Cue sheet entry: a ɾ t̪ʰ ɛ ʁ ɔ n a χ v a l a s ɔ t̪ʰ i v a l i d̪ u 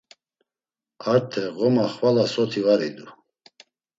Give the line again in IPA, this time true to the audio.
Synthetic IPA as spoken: a ɾ t̪ʰ ɛ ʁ ɔ m a χ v a l a s ɔ t̪ʰ i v a ɾ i d̪ u